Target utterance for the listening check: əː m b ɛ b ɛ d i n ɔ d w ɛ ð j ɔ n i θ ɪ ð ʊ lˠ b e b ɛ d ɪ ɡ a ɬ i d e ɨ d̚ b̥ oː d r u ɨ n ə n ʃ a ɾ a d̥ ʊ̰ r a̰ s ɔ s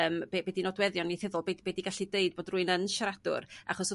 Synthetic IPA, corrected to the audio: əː m b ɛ b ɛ d i n ɔ d w ɛ ð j ɔ n i θ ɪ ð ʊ lˠ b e b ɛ d i ɡ a ɬ i d e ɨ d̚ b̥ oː d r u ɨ n ə n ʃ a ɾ a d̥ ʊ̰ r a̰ χ ɔ s